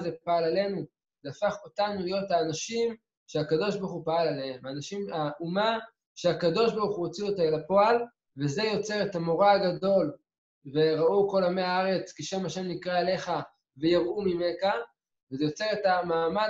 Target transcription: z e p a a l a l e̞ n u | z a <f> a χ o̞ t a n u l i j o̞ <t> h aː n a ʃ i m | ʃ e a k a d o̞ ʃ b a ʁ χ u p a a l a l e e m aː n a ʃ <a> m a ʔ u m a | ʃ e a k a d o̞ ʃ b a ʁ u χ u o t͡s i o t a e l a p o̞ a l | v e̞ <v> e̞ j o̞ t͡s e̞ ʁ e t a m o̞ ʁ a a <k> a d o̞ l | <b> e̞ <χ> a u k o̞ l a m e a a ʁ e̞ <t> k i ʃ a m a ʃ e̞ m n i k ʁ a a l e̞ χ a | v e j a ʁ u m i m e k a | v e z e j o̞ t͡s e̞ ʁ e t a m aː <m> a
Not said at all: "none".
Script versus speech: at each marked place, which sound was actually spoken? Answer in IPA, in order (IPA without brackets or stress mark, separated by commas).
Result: f, t, i, z, ɡ, v, ʁ, t͡s, m